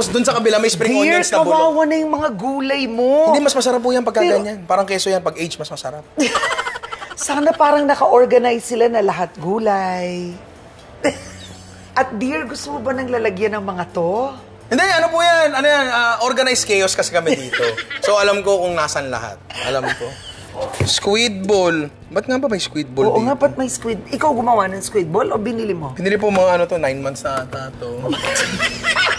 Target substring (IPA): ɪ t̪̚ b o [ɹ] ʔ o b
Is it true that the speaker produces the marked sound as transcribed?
no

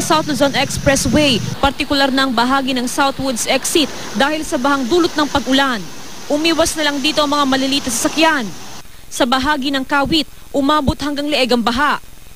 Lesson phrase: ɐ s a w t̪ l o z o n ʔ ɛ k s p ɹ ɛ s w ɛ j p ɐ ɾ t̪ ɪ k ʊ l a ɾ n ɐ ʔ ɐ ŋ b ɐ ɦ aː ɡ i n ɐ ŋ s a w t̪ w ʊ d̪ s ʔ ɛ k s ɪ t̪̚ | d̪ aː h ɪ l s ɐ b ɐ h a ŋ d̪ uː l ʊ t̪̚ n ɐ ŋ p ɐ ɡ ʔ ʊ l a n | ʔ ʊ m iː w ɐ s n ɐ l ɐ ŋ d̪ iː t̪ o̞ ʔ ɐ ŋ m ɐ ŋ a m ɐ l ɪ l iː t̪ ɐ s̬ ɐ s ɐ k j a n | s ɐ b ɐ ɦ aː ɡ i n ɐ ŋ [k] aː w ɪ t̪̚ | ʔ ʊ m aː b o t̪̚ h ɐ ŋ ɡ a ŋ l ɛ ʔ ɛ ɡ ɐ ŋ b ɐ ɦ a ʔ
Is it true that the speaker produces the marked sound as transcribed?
yes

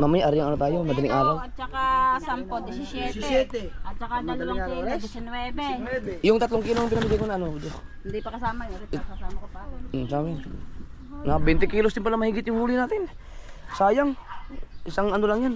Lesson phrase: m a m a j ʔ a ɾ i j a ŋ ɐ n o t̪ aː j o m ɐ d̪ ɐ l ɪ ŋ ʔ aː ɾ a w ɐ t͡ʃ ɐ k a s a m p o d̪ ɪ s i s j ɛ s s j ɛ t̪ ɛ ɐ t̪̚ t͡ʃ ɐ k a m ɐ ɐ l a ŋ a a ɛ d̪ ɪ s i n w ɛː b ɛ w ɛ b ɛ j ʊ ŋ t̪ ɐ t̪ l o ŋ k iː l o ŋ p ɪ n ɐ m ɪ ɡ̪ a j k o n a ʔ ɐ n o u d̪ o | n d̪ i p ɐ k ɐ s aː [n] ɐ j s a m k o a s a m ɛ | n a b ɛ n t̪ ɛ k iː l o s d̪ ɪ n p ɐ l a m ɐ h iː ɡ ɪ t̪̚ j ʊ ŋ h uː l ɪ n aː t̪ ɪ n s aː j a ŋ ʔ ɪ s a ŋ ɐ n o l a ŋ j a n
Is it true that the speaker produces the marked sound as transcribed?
no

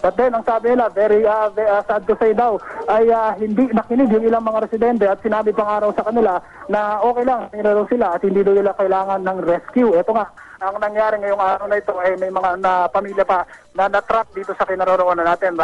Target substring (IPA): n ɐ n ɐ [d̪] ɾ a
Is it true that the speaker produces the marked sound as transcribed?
no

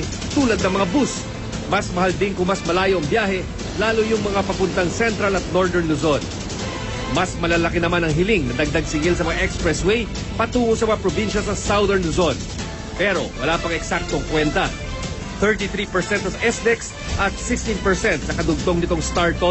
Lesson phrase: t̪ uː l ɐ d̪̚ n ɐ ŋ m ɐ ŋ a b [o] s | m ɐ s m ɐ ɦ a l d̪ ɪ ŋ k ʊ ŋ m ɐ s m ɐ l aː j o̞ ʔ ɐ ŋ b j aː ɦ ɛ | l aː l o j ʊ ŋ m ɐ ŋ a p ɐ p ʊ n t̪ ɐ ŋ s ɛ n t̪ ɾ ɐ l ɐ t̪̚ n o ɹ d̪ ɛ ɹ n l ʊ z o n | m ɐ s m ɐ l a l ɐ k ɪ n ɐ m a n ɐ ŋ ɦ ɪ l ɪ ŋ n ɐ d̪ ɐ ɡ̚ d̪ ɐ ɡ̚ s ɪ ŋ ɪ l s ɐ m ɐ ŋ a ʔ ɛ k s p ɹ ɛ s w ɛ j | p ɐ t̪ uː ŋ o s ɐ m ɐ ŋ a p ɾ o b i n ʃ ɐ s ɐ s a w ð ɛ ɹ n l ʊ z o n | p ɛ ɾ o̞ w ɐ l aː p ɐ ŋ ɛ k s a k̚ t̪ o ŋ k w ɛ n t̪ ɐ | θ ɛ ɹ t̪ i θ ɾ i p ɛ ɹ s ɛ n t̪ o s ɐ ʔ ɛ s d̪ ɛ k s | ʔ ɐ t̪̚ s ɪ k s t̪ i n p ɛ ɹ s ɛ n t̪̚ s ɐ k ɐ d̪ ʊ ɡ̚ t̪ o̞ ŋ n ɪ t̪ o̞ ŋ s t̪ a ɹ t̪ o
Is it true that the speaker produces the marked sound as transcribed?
no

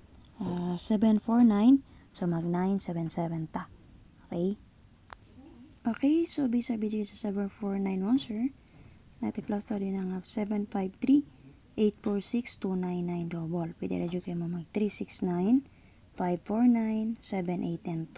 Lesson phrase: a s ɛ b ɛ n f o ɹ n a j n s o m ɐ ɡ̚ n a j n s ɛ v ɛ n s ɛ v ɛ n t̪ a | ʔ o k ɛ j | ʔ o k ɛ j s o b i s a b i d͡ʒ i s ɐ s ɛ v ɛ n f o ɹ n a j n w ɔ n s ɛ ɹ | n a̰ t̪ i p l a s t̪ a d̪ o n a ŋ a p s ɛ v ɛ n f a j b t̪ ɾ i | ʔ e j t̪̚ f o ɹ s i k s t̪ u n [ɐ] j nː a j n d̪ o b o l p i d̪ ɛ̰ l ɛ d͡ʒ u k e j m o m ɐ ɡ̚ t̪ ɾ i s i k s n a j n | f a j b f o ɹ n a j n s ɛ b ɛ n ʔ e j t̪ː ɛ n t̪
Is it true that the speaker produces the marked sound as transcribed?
no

